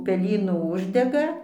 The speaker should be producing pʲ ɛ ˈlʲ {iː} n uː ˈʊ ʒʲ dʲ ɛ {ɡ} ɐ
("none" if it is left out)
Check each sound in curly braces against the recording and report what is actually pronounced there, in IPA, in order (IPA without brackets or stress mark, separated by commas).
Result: iː, ɡ